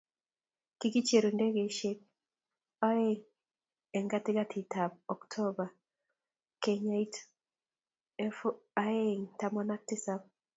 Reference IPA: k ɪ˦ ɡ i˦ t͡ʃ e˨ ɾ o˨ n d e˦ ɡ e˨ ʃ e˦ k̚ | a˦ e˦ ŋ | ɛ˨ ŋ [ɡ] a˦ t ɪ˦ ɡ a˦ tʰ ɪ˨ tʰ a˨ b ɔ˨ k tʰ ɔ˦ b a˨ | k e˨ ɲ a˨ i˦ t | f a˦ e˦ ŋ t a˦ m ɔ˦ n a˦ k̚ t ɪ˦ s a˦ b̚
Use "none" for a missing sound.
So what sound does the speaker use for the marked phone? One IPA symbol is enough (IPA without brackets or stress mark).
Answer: ɡ